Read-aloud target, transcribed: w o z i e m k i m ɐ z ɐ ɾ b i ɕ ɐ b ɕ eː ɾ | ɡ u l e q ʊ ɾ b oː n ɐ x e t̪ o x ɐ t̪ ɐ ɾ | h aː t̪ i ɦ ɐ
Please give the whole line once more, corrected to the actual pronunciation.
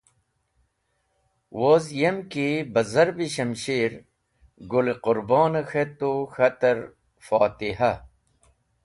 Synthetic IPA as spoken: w o z j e m k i b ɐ z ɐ ɾ b i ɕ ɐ m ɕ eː ɾ | ɡ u l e q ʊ ɾ b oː n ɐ x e t̪ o x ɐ t̪ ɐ ɾ | f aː t̪ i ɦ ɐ

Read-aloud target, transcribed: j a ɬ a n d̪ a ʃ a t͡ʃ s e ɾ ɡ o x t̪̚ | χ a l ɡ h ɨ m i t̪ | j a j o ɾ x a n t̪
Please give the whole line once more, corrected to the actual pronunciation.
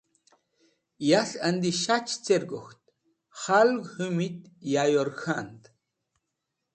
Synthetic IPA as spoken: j a ɬ a n d̪ i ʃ a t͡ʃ t͡s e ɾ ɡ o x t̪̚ | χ a l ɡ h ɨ m i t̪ | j a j o ɾ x a n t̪

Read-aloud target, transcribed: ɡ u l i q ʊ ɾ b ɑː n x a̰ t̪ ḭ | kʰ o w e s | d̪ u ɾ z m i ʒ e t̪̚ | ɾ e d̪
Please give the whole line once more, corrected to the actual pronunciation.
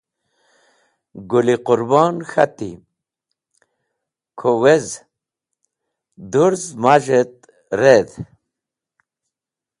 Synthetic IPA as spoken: ɡ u l i q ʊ ɾ b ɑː n x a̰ t̪ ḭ | kʰ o w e z | d̪ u ɾ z m a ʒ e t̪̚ | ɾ e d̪

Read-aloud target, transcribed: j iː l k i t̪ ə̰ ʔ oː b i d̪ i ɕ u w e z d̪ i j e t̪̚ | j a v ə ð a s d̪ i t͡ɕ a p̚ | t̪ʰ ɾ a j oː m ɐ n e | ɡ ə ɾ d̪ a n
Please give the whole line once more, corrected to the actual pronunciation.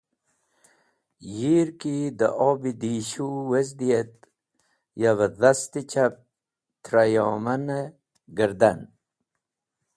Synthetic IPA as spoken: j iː ɾ k i d̪ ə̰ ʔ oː b i d̪ i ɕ u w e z d̪ i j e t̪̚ | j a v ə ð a s t̪ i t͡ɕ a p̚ | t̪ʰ ɾ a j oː m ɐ n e | ɡ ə ɾ d̪ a n

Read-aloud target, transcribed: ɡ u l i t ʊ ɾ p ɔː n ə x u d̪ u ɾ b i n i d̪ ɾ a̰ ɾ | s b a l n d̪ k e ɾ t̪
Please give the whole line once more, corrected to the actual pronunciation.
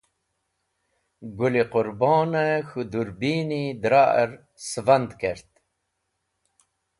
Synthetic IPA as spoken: ɡ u l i q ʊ ɾ b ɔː n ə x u d̪ u ɾ b i n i d̪ ɾ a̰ ɾ | s v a n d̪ k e ɾ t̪

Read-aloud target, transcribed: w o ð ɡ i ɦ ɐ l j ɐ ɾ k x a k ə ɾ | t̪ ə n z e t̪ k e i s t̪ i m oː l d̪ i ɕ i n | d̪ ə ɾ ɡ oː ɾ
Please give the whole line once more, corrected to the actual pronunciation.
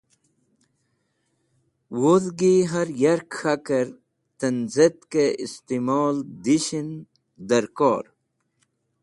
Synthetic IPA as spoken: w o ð ɡ i ɦ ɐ ɾ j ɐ ɾ k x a k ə ɾ | t̪ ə n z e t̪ k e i s t̪ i m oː l d̪ i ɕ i n | d̪ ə ɾ k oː ɾ

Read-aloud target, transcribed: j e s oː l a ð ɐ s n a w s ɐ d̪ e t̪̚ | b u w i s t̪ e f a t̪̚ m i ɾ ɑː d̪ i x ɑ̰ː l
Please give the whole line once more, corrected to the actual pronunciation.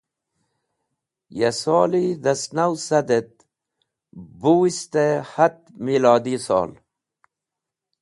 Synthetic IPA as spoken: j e s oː l i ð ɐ s n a w s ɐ d̪ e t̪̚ | b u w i s t̪ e h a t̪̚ m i l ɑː d̪ i s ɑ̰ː l

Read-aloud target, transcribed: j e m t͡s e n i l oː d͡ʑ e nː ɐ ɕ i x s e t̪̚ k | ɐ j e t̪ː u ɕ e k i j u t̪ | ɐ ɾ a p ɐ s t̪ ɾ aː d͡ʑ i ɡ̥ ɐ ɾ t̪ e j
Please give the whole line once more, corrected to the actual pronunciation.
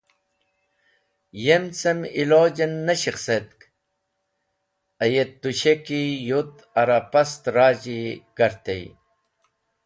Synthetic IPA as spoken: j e m t͡s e m i l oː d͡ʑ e nː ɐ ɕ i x s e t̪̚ k | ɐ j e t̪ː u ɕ e k i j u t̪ | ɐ ɾ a p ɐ s t̪ ɾ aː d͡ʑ i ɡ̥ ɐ ɾ t̪ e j

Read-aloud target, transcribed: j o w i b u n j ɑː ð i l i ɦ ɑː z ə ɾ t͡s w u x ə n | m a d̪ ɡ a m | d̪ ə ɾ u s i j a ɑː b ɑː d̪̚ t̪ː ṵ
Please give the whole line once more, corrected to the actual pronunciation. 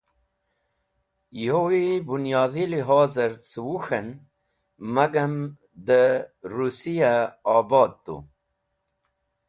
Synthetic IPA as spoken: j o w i b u n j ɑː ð i l i ɦ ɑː z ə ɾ t͡s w u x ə n | m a ɡ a m | d̪ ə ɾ u s i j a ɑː b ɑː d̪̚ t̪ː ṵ

